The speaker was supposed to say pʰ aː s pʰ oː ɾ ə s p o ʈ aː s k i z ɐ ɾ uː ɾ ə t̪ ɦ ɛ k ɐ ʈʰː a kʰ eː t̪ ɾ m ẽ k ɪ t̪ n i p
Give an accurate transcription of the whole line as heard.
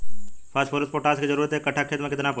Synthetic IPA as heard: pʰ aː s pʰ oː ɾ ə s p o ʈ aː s k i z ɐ ɾ uː ɾ ə t̪ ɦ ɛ k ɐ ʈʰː a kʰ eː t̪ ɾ m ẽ k ɪ t̪ n a p